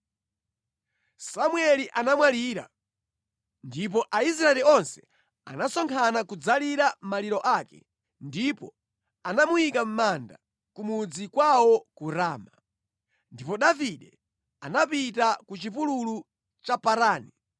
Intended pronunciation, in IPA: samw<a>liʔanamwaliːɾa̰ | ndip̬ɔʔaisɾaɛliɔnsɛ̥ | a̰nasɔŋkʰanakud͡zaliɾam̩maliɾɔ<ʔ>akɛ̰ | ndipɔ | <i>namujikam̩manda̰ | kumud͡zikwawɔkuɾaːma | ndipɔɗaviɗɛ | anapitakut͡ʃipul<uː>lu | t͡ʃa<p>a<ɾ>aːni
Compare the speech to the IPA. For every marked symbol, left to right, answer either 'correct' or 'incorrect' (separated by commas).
incorrect, correct, incorrect, incorrect, correct, correct